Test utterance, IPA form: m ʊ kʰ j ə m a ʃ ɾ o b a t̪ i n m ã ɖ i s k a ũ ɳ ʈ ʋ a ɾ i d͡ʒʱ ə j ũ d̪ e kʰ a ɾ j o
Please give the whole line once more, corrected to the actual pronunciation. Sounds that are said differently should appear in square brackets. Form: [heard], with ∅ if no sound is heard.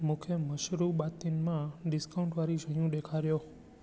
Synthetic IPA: m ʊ kʰ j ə m [ə] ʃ ɾ [u] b a t̪ i n m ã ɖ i s k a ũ ɳ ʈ ʋ a ɾ i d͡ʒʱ ə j ũ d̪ e kʰ a ɾ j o